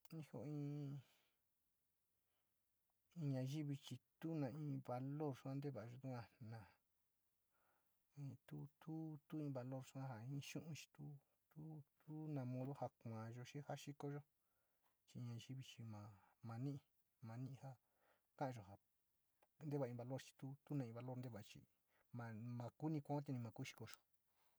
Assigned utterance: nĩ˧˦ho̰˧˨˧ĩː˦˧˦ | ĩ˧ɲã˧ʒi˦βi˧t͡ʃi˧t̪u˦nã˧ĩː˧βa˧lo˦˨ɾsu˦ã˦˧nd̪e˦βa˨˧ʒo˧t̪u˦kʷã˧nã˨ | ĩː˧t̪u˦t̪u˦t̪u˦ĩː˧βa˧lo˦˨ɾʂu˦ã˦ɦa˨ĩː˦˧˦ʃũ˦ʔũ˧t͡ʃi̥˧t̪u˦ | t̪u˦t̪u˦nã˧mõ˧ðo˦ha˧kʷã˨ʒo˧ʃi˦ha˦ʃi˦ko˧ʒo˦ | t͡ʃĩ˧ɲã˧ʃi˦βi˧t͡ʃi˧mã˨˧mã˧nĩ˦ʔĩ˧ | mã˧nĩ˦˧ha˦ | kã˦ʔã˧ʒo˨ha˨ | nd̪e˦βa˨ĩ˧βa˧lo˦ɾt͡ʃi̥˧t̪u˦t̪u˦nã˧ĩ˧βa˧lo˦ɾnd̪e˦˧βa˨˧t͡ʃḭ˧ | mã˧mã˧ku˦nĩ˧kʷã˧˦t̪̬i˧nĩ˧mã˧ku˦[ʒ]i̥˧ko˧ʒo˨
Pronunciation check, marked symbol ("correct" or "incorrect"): incorrect